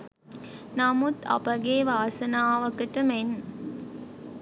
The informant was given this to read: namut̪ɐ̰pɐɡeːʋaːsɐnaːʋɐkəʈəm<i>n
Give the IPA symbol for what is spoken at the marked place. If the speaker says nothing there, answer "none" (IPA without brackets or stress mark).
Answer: e